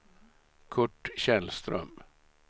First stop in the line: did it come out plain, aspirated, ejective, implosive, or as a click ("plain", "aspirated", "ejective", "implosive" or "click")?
aspirated